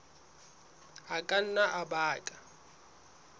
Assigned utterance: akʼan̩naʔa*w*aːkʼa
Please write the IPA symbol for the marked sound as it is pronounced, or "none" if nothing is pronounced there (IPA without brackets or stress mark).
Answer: b